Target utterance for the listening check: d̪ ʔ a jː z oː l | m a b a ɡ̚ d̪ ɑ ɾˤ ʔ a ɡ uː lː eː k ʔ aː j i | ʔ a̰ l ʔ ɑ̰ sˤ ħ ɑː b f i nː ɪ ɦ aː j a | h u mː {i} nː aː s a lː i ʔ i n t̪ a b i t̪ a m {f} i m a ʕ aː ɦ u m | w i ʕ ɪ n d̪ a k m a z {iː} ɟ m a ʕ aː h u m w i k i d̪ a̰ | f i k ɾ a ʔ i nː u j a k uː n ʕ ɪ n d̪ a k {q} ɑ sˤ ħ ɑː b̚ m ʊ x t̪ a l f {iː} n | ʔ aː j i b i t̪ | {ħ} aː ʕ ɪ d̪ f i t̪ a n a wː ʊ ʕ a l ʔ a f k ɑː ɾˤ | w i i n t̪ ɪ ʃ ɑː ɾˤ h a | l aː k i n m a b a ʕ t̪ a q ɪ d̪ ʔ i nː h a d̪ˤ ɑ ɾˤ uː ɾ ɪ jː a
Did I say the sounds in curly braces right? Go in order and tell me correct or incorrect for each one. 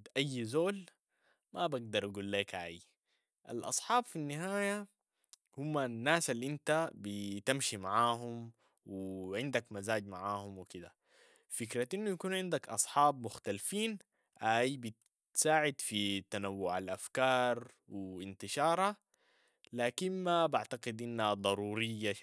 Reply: incorrect: a, incorrect: ʃ, incorrect: aː, incorrect: ʔ, correct, incorrect: s

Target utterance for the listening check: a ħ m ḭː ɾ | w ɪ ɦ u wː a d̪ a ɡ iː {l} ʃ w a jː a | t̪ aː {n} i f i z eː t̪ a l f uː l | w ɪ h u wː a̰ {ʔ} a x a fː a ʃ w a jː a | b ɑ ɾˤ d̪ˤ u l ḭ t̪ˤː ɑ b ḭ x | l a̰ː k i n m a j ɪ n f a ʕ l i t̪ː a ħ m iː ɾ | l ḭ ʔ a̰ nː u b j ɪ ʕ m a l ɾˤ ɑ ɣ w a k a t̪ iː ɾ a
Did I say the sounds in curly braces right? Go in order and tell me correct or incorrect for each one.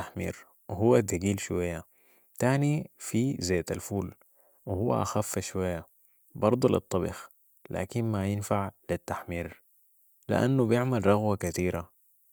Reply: correct, correct, correct

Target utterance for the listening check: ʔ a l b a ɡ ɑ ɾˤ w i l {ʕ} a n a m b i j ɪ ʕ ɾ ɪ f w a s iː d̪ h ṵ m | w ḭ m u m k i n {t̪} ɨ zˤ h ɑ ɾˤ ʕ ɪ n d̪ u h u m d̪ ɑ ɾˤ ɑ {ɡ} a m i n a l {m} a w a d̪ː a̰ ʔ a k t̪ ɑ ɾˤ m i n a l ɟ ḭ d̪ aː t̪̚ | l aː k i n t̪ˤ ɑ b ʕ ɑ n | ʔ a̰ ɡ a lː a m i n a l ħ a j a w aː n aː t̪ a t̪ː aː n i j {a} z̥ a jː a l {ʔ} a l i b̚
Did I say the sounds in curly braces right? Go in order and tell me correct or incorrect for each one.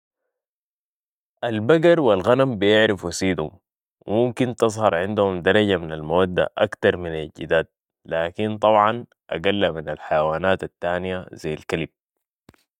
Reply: incorrect: ɣ, correct, incorrect: ɟ, correct, correct, incorrect: k

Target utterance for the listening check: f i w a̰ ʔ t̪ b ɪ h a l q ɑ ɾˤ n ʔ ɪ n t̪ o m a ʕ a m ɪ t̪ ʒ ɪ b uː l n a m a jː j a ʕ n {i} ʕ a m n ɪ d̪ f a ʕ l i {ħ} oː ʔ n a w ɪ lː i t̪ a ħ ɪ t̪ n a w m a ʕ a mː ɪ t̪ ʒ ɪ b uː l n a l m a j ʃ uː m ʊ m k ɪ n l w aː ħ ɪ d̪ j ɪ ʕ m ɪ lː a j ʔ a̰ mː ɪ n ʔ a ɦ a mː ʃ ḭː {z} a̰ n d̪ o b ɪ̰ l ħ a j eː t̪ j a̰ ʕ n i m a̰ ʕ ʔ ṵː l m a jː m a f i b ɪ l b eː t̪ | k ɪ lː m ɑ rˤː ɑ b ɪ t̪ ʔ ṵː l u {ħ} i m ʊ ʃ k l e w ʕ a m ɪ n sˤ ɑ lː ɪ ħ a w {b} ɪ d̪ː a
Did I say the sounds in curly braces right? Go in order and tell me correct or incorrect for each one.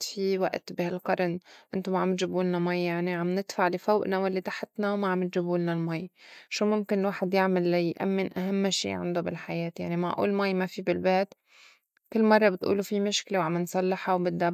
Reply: correct, incorrect: f, incorrect: ʕ, incorrect: f, correct

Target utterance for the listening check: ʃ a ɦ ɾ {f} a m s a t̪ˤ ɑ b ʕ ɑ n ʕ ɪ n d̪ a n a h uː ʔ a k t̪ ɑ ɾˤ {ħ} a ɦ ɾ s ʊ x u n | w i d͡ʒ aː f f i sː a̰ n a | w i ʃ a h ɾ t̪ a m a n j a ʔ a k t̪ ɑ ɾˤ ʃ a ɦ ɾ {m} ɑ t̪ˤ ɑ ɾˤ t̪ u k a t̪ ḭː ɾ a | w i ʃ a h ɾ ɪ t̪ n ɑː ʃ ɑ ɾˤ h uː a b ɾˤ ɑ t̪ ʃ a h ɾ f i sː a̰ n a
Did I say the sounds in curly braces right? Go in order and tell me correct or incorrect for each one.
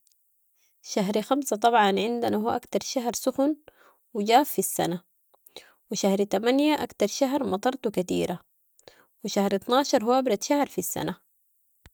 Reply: incorrect: x, incorrect: ʃ, correct

